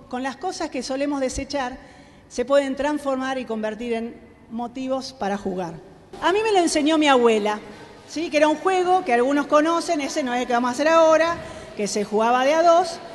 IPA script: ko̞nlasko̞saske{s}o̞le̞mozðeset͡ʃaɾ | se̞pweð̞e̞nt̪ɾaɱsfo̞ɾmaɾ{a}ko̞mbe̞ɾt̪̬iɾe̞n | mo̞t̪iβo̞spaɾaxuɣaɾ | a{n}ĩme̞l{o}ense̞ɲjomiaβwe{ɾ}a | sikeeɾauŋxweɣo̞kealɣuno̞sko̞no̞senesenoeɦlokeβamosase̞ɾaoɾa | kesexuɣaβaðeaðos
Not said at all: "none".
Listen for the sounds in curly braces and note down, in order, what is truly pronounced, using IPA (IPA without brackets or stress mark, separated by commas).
s, i, m, o, l